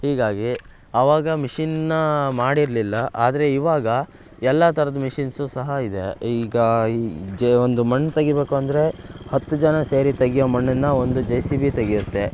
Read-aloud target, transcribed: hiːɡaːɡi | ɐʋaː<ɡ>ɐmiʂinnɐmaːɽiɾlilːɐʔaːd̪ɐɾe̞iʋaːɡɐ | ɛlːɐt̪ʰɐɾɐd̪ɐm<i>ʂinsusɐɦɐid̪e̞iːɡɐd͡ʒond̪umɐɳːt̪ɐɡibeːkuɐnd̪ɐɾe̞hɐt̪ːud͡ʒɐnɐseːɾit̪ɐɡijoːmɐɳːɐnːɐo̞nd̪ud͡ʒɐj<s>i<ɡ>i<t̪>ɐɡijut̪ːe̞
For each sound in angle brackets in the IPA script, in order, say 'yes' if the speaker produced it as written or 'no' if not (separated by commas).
yes, yes, yes, no, yes